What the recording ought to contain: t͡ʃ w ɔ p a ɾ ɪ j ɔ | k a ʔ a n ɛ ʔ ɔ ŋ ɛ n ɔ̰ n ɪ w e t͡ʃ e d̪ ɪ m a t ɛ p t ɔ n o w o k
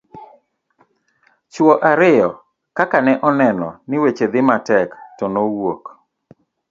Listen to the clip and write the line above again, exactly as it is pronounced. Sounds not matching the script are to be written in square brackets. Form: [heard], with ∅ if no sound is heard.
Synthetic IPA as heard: t͡ʃ w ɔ [ʔ] a ɾ ɪ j ɔ | k a [k] a n ɛ ʔ ɔ [n] ɛ n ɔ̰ n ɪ w e t͡ʃ e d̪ ɪ m a t ɛ [k] t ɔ n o w o k